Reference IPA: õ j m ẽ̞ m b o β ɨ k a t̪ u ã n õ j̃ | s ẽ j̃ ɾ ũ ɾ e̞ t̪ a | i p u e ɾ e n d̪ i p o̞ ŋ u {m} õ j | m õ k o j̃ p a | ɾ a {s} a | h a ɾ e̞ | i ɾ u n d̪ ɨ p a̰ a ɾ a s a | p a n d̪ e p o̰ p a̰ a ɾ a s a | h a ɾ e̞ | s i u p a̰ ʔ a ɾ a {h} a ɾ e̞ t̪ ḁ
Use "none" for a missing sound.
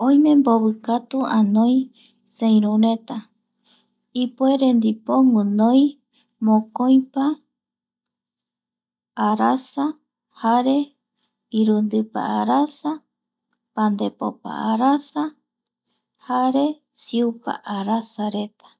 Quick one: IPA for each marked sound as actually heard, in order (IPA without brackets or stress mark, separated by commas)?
n, s, s